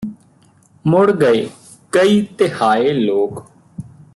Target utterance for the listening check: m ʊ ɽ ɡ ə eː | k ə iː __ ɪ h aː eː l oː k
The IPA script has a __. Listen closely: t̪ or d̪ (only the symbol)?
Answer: t̪